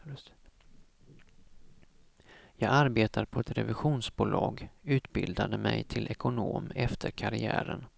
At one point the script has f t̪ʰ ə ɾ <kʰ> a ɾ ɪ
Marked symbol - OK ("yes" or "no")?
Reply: yes